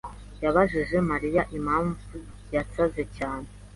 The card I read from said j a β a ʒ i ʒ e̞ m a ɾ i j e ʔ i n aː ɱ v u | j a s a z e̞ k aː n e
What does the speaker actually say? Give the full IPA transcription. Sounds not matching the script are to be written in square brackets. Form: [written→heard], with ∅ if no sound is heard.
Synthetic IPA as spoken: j a β a ʒ i ʒ e̞ m a ɾ i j [e→a] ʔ i [n→m] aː ɱ v u | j a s a z e̞ [k→c] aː n e